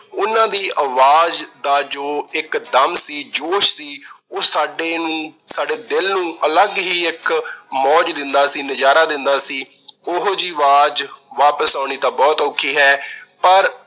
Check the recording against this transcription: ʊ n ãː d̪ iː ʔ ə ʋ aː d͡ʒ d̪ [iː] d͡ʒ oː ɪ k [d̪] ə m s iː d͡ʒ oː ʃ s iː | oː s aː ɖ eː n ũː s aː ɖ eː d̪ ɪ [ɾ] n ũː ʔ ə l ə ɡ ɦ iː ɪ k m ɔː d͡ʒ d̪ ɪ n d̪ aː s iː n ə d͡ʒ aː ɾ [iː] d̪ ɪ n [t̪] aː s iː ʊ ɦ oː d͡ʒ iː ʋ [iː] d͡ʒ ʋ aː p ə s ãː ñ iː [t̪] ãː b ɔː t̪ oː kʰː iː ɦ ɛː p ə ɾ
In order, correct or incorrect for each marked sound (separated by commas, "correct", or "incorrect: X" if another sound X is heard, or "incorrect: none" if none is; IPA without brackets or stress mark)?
incorrect: aː, correct, incorrect: l, incorrect: aː, incorrect: d̪, incorrect: aː, correct